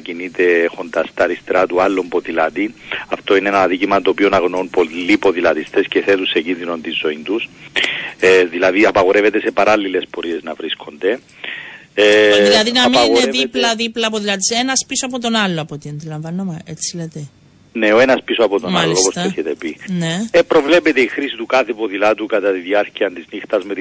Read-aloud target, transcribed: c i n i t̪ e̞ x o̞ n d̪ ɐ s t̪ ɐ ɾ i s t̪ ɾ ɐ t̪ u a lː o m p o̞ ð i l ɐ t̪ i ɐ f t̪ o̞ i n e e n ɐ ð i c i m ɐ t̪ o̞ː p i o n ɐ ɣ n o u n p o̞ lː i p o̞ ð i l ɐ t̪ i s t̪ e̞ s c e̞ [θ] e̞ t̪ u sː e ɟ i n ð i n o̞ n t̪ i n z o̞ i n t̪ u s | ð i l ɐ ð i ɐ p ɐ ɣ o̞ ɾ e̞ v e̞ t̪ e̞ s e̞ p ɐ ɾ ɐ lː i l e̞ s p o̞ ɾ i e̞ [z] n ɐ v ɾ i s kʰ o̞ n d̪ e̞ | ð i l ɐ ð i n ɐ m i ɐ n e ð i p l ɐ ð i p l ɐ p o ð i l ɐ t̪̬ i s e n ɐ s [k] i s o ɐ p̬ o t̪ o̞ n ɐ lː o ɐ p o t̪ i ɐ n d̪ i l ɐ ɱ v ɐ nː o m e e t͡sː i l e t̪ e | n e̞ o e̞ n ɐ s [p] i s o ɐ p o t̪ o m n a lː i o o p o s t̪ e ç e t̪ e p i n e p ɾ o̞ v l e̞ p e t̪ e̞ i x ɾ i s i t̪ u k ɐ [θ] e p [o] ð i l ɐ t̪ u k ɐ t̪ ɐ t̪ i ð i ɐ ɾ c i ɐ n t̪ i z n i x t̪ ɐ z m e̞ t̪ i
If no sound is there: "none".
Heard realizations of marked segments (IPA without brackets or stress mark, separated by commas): θ, z, p, p, θ, o